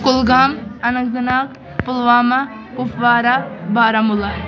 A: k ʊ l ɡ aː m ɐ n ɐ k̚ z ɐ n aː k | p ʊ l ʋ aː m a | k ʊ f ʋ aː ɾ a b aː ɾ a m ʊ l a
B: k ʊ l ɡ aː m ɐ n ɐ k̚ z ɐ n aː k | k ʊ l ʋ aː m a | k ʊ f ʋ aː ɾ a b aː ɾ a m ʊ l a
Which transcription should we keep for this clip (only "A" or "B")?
A